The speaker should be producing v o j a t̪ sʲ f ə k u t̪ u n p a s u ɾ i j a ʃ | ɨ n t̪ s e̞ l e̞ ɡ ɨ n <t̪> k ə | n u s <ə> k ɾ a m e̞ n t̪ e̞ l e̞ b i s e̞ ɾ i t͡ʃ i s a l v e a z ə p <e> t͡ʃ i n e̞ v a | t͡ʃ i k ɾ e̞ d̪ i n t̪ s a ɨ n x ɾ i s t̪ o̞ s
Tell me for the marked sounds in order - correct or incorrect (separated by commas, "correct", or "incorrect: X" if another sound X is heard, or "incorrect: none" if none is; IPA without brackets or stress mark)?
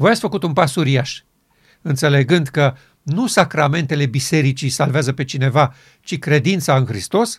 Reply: incorrect: d̪, incorrect: a, correct